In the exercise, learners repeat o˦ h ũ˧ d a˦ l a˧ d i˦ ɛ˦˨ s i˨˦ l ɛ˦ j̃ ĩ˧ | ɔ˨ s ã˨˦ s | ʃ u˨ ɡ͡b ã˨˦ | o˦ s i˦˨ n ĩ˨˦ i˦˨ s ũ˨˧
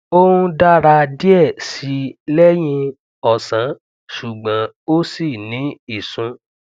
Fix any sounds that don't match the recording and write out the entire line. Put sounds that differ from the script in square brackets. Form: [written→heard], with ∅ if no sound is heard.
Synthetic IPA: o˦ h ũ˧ d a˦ [l→ɾ] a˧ d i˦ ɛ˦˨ s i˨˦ l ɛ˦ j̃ ĩ˧ | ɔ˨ s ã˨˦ [s→∅] | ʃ u˨ ɡ͡b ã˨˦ | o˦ s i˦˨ n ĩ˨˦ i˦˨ s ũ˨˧